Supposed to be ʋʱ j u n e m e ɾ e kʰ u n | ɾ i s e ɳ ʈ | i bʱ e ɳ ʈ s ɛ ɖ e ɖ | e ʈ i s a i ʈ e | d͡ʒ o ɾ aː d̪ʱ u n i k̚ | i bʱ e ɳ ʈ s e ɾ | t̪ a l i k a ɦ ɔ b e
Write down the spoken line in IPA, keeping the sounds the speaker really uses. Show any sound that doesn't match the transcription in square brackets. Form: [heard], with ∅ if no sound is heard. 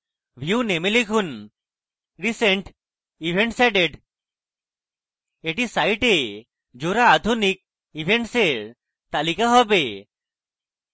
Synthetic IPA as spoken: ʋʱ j u n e m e [l] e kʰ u n | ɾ i s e ɳ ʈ | i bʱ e ɳ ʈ s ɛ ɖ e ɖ | e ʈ i s a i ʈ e | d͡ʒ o ɾ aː d̪ʱ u n i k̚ | i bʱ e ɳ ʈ s e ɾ | t̪ a l i k a ɦ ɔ b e